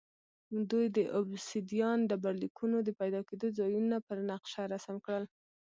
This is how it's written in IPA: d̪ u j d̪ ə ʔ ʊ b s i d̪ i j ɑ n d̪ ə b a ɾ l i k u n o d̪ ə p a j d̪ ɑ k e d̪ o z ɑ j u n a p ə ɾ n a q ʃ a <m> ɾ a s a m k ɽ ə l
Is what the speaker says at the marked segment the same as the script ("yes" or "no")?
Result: no